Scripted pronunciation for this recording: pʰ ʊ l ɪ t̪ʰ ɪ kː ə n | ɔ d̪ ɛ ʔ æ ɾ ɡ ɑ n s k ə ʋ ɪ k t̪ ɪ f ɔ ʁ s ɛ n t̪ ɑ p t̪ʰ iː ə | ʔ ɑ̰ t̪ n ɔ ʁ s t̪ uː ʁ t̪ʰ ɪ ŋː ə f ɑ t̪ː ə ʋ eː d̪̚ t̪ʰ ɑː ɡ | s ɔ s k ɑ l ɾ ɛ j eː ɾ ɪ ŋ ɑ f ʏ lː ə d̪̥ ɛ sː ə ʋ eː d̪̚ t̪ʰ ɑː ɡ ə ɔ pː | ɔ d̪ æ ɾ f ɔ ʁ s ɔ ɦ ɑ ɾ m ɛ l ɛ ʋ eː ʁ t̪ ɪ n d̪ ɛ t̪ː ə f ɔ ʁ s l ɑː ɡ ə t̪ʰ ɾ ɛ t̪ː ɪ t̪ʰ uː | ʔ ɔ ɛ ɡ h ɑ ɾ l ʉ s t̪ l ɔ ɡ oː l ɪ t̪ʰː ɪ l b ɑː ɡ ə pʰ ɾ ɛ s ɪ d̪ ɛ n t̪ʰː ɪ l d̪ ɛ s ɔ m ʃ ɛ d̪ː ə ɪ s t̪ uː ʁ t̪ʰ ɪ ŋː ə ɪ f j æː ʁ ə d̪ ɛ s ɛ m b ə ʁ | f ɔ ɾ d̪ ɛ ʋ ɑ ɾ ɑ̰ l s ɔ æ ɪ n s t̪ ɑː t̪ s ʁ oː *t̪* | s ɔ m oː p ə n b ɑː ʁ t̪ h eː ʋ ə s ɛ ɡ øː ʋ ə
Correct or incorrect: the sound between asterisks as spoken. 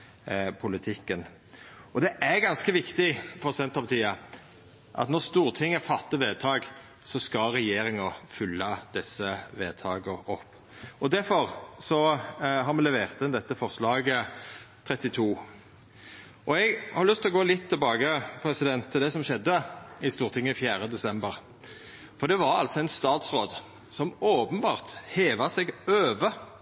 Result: incorrect: d̪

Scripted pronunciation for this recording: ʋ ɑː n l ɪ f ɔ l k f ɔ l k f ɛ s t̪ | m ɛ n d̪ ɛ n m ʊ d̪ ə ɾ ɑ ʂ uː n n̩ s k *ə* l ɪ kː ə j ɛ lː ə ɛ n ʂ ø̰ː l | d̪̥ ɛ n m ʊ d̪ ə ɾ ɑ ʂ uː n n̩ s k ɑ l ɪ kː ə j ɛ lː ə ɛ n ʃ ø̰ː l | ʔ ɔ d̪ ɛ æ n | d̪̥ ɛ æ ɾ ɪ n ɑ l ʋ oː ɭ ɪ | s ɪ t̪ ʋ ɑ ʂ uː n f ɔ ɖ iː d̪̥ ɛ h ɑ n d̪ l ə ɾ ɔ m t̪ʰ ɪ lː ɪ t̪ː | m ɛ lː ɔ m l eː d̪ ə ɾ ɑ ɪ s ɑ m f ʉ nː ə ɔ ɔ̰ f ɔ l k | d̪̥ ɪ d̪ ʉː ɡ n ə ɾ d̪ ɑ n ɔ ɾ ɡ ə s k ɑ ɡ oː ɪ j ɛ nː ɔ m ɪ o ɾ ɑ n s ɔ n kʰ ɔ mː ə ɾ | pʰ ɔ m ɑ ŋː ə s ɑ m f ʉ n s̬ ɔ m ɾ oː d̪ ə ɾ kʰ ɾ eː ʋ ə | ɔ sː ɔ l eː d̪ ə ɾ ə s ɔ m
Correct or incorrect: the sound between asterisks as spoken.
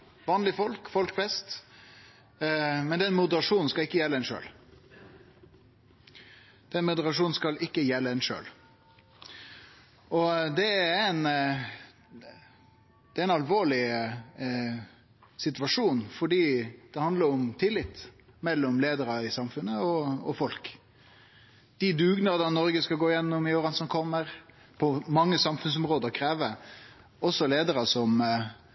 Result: incorrect: ɑ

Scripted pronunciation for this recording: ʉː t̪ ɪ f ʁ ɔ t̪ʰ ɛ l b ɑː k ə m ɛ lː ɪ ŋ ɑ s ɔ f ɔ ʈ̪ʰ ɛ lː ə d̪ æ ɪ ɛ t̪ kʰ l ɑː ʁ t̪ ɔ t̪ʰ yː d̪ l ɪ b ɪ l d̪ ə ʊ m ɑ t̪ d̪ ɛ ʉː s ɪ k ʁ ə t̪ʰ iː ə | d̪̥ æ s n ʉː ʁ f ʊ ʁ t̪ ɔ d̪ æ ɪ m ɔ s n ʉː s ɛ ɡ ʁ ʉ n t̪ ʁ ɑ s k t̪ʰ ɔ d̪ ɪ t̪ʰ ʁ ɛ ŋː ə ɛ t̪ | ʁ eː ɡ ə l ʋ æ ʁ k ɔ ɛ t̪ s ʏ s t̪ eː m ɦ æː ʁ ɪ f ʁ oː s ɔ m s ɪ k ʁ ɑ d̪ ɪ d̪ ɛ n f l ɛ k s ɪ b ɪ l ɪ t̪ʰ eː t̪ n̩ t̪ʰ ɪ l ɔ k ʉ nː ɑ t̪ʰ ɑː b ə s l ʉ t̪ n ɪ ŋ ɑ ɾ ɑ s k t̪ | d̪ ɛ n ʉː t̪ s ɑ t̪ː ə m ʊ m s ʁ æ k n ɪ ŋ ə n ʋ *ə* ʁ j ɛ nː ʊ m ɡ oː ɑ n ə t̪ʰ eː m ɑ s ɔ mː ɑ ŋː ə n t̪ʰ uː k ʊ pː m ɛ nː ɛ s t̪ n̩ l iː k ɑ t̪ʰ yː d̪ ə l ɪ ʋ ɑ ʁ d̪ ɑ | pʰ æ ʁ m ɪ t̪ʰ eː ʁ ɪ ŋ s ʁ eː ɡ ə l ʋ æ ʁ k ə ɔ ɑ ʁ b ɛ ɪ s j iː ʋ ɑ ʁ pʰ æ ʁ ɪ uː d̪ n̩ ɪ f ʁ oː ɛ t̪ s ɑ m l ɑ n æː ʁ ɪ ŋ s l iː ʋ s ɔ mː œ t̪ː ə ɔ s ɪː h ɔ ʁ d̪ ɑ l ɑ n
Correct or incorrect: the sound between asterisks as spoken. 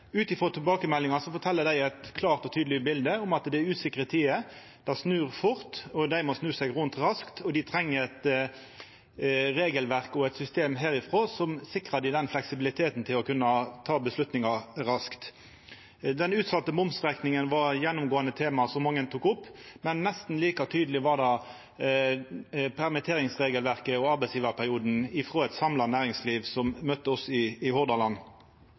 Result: incorrect: ɑ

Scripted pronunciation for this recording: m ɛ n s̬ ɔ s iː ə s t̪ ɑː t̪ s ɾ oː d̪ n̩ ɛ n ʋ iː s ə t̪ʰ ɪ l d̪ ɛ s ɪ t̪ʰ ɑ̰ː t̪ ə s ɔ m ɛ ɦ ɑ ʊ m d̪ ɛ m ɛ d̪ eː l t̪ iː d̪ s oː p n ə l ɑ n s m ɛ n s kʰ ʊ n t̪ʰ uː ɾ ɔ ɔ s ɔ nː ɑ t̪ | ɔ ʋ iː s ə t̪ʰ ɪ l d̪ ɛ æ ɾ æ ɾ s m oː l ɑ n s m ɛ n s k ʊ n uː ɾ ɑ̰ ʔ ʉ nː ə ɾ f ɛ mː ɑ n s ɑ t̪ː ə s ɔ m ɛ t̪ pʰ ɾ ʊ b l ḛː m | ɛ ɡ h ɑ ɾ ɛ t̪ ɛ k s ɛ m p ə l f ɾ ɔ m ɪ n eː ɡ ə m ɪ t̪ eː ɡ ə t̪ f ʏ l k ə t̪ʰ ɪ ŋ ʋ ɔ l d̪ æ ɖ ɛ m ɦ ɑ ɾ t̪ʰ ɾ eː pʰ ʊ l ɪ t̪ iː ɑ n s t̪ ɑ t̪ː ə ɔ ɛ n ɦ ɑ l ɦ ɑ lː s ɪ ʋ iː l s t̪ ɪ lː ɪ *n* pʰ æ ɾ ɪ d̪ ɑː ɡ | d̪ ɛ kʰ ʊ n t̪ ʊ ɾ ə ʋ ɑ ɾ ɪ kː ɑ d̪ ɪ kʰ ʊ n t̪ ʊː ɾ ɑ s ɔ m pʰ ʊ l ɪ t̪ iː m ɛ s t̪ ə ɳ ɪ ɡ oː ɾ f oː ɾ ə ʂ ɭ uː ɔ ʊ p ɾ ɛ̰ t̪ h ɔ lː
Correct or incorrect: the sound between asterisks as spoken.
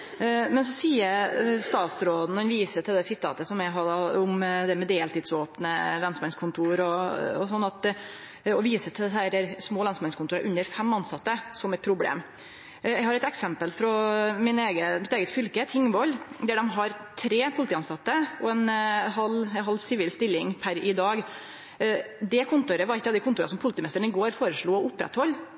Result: incorrect: ŋ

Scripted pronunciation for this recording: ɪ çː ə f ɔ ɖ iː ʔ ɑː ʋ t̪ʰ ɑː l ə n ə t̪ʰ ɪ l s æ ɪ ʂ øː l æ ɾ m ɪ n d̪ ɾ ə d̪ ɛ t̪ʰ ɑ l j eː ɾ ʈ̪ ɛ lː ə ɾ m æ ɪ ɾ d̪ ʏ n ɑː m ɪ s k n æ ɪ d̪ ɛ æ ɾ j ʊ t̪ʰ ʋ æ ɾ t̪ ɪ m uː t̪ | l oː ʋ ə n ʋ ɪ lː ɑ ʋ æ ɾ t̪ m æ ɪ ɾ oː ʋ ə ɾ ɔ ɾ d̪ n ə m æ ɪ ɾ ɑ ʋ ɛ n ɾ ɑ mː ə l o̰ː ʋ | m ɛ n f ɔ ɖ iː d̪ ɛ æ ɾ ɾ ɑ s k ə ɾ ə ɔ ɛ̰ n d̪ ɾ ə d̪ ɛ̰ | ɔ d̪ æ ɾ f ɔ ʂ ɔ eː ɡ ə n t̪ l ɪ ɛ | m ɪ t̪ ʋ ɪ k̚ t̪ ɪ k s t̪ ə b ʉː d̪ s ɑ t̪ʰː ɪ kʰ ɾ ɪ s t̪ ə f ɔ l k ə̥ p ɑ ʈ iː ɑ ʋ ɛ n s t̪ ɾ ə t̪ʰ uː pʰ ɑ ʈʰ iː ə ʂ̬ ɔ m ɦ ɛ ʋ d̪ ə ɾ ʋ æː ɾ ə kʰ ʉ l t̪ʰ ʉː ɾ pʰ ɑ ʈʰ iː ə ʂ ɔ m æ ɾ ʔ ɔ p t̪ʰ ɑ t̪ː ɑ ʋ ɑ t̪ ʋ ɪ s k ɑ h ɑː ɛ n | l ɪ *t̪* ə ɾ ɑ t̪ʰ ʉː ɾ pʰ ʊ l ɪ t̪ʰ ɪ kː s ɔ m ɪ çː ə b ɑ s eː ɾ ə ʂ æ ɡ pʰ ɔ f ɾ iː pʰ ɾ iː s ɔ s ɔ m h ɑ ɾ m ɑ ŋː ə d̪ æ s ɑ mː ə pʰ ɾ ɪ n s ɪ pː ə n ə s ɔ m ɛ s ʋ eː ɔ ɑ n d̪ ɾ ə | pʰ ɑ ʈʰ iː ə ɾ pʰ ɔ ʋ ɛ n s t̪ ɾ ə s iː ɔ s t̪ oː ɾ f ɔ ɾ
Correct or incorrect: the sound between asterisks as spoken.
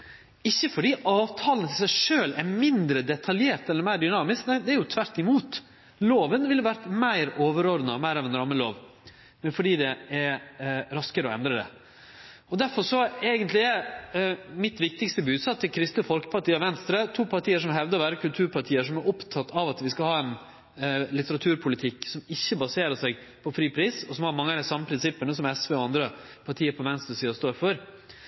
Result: correct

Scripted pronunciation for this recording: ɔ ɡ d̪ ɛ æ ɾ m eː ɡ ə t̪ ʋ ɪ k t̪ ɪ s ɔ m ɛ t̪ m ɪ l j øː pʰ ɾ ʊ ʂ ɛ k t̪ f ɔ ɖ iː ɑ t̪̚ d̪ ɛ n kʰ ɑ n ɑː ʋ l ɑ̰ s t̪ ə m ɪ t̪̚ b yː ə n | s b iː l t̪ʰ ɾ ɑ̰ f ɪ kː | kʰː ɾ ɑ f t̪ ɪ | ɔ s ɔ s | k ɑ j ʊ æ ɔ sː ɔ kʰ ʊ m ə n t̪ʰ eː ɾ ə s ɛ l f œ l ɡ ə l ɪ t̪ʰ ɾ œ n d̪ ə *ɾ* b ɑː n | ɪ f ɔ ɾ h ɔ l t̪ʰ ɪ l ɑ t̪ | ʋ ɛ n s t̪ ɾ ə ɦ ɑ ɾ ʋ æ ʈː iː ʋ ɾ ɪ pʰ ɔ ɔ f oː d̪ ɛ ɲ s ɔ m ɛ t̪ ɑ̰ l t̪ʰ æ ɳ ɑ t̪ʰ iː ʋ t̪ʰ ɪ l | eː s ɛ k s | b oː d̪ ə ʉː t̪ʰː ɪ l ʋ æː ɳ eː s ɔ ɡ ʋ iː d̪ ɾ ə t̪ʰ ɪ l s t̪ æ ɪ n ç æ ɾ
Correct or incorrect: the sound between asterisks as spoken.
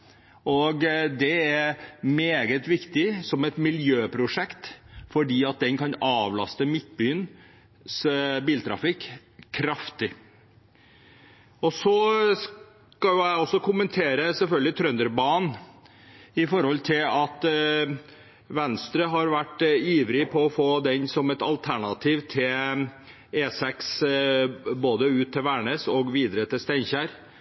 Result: correct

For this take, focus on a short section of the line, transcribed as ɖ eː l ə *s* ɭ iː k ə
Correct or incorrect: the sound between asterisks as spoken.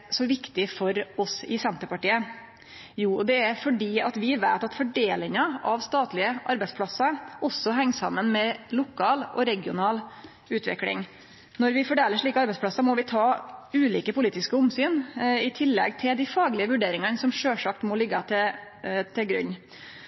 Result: incorrect: ʂ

